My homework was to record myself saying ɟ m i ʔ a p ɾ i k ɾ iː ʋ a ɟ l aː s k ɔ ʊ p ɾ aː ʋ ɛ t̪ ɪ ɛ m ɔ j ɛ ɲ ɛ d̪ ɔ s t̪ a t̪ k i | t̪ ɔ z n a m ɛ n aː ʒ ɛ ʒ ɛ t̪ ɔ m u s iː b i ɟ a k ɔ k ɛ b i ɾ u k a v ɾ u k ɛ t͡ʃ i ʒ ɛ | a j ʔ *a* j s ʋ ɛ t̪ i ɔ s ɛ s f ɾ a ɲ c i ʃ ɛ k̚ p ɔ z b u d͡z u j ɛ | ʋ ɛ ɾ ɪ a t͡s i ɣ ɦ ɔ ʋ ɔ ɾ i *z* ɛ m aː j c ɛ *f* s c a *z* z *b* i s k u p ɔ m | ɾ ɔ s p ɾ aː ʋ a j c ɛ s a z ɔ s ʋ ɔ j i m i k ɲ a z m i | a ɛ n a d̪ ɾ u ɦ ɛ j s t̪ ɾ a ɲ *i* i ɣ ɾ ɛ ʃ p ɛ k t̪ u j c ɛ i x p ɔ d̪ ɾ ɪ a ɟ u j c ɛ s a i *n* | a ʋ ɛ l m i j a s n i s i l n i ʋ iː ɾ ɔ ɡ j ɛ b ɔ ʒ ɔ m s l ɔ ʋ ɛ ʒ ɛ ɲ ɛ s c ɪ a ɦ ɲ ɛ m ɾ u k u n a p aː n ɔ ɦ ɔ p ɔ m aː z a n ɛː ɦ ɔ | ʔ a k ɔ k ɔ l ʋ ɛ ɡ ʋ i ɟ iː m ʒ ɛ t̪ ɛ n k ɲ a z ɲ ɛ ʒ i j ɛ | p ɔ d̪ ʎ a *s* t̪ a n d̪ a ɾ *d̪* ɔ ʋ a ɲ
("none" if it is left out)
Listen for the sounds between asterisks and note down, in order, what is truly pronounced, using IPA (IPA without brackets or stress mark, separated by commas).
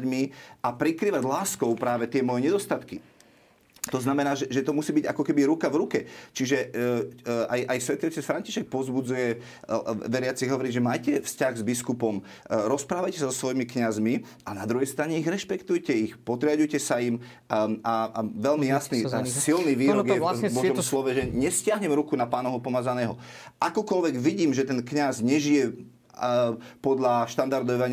a, ʒ, f, ɣ, b, ɛ, m, ʃ, d̪